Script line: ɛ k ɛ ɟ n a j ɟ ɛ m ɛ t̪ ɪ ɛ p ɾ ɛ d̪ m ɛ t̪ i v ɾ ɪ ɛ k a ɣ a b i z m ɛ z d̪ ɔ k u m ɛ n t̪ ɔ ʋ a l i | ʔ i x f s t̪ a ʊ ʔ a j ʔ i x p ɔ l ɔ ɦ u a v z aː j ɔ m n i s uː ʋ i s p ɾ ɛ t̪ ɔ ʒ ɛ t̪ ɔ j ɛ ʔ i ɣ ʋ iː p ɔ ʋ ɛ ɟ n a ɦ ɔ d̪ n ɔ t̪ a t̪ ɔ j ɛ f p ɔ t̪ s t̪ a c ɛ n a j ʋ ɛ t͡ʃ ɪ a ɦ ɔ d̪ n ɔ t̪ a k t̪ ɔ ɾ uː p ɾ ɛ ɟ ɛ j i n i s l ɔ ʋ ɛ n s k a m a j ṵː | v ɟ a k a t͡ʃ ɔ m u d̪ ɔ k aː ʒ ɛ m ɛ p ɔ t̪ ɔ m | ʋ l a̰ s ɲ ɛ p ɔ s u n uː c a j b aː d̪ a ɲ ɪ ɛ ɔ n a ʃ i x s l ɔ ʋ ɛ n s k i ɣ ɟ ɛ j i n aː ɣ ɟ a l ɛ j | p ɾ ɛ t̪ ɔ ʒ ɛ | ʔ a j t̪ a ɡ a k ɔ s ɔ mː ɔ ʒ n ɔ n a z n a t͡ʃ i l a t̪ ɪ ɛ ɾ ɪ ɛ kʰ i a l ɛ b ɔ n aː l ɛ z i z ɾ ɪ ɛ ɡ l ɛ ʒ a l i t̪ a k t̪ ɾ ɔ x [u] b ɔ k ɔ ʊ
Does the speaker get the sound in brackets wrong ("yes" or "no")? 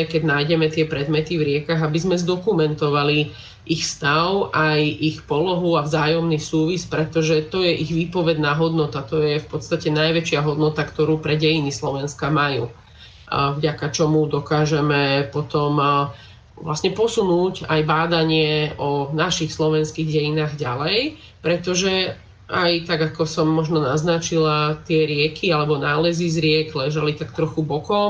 no